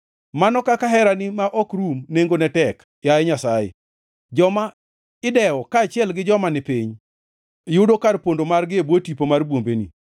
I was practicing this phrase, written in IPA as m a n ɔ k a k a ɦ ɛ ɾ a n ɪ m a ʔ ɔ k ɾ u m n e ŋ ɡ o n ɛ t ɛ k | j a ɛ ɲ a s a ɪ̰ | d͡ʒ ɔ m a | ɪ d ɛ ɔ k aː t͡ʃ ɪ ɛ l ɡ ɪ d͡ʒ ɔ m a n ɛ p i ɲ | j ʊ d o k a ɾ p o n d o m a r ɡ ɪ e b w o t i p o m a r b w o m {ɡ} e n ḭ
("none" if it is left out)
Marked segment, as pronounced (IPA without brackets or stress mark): b